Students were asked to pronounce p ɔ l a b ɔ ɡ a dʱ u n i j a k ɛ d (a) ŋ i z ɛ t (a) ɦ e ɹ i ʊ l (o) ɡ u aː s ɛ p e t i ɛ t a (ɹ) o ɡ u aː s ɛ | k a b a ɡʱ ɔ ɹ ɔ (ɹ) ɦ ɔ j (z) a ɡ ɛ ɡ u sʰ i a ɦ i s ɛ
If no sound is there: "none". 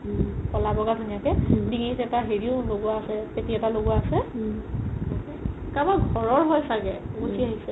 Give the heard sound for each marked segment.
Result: i, a, o, l, ɹ, s

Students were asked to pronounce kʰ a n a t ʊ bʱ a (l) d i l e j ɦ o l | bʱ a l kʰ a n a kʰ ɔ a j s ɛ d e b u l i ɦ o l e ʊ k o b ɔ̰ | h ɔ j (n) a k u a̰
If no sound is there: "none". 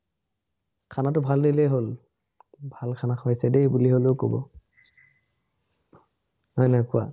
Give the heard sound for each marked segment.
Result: l, n

